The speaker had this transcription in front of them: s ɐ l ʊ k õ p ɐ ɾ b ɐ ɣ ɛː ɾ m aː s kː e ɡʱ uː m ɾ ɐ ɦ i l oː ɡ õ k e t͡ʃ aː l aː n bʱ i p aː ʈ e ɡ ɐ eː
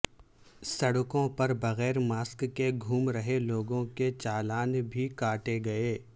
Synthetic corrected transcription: s ɐ ɽ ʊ k õ p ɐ ɾ b ɐ ɣ ɛː ɾ m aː s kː e ɡʱ uː m ɾ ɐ ɦ e l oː ɡ õ k e t͡ʃ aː l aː n bʱ i k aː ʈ e ɡ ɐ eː